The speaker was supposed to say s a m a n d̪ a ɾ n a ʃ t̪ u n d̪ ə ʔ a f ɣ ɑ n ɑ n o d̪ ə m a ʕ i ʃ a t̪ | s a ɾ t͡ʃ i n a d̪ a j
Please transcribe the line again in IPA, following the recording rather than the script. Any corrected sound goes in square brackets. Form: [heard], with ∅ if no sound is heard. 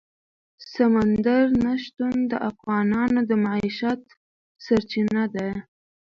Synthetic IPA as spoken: s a m a n d̪ a ɾ n a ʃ t̪ u n d̪ ə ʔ a f ɣ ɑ n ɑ n o d̪ ə m a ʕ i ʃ a t̪ | s a ɾ t͡ʃ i n a d̪ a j